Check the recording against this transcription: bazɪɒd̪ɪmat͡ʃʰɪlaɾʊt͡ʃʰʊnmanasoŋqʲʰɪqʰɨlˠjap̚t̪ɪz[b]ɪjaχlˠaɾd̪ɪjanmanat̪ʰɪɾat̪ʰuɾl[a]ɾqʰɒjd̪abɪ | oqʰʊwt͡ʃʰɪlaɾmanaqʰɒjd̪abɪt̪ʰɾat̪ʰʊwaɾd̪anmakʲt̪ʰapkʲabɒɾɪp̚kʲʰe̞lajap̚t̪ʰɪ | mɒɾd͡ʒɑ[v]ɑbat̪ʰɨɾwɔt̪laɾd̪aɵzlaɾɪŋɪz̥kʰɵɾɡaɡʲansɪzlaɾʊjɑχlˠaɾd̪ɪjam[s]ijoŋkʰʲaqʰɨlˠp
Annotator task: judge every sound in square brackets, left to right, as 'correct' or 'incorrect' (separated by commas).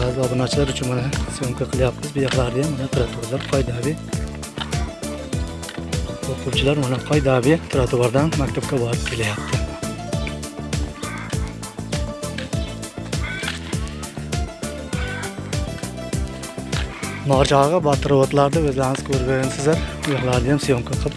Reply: correct, correct, incorrect, correct